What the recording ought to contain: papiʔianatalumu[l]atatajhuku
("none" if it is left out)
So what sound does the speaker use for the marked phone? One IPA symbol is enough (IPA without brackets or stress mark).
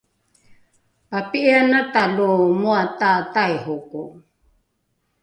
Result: none